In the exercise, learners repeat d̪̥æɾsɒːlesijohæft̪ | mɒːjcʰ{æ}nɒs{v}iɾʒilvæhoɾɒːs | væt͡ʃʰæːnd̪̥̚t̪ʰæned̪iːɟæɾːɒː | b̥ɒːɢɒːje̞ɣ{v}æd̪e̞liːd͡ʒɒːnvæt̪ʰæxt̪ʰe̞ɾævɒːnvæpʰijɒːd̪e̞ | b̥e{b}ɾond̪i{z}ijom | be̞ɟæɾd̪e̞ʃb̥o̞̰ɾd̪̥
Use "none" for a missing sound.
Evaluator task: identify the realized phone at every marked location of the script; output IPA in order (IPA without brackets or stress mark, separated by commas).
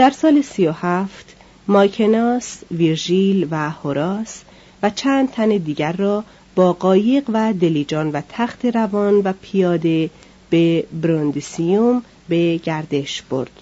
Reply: e, v, v, b, s